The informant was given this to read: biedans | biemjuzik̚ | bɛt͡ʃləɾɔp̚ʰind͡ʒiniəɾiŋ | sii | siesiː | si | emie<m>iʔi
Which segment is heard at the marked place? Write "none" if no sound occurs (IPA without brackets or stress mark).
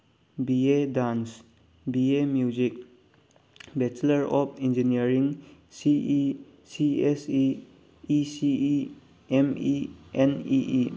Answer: n